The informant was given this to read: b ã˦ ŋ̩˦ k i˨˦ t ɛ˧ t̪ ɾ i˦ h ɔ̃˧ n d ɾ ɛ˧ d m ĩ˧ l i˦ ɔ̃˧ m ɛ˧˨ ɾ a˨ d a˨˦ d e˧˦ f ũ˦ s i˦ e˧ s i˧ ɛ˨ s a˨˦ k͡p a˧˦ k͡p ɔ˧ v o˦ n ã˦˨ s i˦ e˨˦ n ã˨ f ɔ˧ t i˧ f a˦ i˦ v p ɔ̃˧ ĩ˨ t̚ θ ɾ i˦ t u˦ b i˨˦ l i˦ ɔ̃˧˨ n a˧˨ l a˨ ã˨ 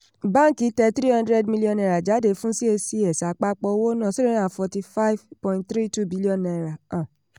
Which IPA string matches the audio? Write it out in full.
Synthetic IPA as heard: b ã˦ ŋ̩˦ k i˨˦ t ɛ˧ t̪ ɾ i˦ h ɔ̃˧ n d ɾ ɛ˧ d m i˧ l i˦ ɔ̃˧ n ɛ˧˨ ɾ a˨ d͡ʒ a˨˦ d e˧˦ f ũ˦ s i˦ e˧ s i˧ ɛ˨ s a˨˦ k͡p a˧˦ k͡p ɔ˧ w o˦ n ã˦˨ s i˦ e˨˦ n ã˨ f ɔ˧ t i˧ f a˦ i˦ v p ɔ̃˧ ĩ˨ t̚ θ ɾ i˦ t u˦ b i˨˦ l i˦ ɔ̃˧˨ n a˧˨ ɾ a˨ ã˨